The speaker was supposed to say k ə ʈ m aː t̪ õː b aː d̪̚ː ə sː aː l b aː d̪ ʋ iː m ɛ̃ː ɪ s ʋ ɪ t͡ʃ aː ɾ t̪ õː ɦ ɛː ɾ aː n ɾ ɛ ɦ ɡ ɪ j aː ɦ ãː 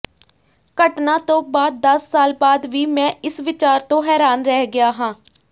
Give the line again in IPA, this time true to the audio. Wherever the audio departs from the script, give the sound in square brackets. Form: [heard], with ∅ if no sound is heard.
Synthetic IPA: k ə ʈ [n] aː t̪ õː b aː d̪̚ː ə sː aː l b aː d̪ ʋ iː m ɛ̃ː ɪ s ʋ ɪ t͡ʃ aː ɾ t̪ õː ɦ ɛː ɾ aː n ɾ ɛ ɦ ɡ ɪ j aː ɦ ãː